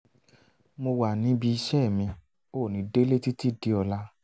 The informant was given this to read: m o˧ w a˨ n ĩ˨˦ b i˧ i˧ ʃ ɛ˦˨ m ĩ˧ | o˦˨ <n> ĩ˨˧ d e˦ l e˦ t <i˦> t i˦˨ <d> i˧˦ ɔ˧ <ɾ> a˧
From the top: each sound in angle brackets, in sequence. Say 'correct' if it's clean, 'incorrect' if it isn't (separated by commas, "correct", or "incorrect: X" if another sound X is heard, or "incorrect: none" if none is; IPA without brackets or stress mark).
correct, correct, correct, incorrect: l